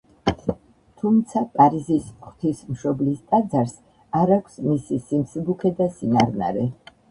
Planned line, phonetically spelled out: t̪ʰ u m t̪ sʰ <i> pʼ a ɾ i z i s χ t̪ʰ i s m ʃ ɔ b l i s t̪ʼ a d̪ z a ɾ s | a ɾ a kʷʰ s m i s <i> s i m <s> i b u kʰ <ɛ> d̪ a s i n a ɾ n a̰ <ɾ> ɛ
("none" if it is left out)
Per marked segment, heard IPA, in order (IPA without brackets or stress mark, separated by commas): a, i, s, ɛ, ɾ